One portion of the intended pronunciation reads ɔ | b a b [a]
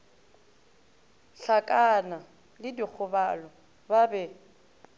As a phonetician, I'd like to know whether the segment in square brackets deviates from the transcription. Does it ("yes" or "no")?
yes